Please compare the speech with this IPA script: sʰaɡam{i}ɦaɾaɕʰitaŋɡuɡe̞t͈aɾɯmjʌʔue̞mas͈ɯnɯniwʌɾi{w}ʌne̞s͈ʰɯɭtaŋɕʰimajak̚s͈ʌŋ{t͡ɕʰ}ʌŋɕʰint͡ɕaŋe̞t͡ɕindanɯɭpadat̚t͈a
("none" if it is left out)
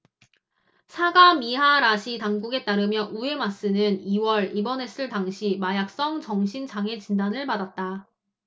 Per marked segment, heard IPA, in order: i, b, t͡ɕ

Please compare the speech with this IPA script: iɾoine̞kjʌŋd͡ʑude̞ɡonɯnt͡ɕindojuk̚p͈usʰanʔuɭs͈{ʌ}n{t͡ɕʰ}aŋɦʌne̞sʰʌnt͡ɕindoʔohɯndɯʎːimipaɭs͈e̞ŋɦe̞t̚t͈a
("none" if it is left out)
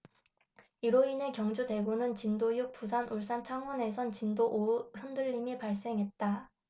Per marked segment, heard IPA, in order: a, t͡ɕʰ

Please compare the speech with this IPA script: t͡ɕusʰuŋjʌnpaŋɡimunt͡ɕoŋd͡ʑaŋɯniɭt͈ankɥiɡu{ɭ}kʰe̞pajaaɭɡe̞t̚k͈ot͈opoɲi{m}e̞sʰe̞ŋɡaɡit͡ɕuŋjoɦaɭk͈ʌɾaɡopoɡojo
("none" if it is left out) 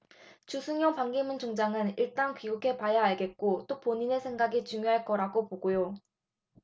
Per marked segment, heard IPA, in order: none, n

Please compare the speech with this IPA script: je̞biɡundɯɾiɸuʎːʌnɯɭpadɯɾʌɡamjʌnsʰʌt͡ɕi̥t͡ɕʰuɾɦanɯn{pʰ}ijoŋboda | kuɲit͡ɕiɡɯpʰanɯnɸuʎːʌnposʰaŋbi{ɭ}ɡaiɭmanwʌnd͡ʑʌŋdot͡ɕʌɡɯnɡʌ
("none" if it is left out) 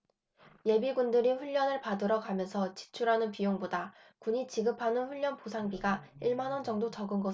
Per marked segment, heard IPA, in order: p, none

